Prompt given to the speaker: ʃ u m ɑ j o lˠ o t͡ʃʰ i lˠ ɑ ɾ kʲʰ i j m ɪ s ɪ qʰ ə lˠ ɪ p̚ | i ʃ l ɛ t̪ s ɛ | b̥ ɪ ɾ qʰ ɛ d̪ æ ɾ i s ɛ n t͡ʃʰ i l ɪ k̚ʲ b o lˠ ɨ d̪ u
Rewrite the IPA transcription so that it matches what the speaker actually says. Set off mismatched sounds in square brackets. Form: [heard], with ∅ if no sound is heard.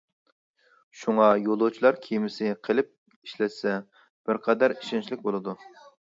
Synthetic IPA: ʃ u [ŋ] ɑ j o lˠ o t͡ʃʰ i lˠ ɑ ɾ kʲʰ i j m ɪ s ɪ qʰ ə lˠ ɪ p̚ | i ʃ l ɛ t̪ s ɛ | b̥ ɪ ɾ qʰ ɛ d̪ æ ɾ i [ʃ] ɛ n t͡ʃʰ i l ɪ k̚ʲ b o lˠ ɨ d̪ u